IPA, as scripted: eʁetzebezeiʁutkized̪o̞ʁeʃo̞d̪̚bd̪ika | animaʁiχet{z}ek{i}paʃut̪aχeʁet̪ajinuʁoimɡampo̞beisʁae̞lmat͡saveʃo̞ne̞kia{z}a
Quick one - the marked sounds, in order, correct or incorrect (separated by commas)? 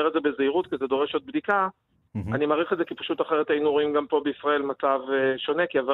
correct, correct, incorrect